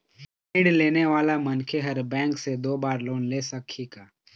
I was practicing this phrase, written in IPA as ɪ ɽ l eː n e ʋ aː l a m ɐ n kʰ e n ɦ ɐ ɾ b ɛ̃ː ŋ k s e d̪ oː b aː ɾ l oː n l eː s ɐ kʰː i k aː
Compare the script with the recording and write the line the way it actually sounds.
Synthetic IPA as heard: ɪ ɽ l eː n e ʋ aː l a m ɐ n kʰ e ɦ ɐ ɾ b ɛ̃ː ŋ k s e d̪ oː b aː ɾ l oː n l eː s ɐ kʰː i k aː